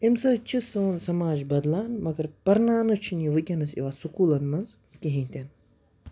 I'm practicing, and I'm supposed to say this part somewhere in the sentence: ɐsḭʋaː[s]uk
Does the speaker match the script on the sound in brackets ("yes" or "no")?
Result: yes